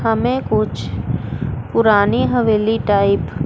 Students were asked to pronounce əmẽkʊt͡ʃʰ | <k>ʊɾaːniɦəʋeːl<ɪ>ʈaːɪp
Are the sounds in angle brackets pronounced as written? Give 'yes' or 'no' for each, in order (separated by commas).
no, no